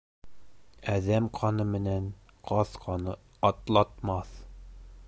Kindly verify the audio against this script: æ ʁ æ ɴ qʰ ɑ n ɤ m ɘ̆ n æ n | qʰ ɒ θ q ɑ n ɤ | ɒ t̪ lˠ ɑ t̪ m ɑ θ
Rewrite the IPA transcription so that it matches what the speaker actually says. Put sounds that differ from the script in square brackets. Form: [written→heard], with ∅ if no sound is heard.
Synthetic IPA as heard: æ [ʁ→ð] æ [ɴ→m] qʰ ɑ n ɤ m ɘ̆ n æ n | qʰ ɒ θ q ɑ n ɤ | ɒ t̪ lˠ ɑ t̪ m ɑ θ